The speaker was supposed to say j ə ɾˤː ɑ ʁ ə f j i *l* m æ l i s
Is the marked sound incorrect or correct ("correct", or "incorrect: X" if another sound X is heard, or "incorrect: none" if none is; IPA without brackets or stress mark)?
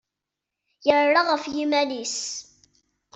incorrect: none